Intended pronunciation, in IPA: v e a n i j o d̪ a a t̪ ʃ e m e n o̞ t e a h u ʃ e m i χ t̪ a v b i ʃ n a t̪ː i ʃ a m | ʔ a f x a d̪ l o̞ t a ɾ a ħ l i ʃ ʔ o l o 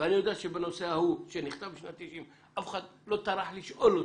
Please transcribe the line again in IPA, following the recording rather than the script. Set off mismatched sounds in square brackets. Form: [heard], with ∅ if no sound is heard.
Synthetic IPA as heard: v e a n i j o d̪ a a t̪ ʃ e [b] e n o̞ [s] e a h u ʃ e [n] i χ t̪ a v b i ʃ n a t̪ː i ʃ [i] m | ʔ a f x a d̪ l o̞ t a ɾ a ħ l i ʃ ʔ o l o